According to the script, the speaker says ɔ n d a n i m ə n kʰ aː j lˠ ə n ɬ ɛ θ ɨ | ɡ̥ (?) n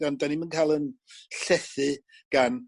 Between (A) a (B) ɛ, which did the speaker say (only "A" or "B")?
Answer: A